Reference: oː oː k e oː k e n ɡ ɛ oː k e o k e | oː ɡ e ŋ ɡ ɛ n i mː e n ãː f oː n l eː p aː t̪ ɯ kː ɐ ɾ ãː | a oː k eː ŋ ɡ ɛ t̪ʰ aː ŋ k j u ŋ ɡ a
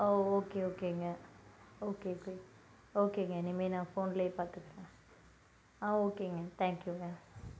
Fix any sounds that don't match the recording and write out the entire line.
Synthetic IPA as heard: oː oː k e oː k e ŋ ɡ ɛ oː k e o k e | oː k e ŋ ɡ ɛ n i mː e n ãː f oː n l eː p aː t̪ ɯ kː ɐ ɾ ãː | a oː k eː ŋ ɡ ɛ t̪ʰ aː ŋ k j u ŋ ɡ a

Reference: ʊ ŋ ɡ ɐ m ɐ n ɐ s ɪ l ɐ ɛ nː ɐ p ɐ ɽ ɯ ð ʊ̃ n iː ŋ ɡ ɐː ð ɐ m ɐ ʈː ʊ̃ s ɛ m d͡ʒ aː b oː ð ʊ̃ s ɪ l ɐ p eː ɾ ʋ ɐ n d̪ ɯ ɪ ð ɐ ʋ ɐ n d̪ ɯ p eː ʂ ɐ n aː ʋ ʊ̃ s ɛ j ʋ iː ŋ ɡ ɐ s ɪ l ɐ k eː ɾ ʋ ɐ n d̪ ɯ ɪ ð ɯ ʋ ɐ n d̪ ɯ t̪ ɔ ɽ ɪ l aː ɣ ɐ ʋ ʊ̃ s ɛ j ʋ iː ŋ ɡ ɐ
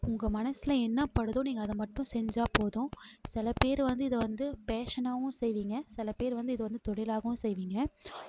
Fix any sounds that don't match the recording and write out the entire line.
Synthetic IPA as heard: ʊ ŋ ɡ ɐ m ɐ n ɐ s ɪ l ɐ ɛ nː ɐ p ɐ ɽ ɯ ð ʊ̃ n iː ŋ ɡ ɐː ð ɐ m ɐ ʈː ʊ̃ s ɛ ɲ d͡ʒ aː p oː ð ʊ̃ s ɪ l ɐ p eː ɾ ʋ ɐ n d̪ ɯ ɪ ð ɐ ʋ ɐ n d̪ ɯ p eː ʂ ɐ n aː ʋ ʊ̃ s ɛ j ʋ iː ŋ ɡ ɐ s ɪ l ɐ p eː ɾ ʋ ɐ n d̪ ɯ ɪ ð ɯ ʋ ɐ n d̪ ɯ t̪ ɔ ɽ ɪ l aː ɣ ɐ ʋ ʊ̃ s ɛ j ʋ iː ŋ ɡ ɐ

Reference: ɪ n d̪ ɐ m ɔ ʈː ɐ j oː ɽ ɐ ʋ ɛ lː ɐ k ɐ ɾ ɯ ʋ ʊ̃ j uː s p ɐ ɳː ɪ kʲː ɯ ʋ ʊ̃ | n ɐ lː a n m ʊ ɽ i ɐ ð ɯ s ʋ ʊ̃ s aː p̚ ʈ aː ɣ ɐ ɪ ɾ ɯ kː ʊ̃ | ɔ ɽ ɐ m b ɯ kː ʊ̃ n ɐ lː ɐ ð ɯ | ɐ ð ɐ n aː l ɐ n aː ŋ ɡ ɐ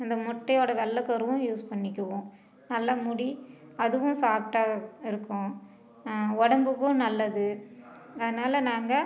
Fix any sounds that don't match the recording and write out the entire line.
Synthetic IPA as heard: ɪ n d̪ ɐ m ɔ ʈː ɐ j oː ɽ ɐ ʋ ɛ lː ɐ k ɐ ɾ ɯ ʋ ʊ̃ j uː s p ɐ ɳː ɪ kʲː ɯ ʋ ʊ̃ | n ɐ lː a m ʊ ɽ i ɐ ð ɯ ʋ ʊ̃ s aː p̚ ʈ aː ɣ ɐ ɪ ɾ ɯ kː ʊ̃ | ɔ ɽ ɐ m b ɯ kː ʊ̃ n ɐ lː ɐ ð ɯ | ɐ ð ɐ n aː l ɐ n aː ŋ ɡ ɐ

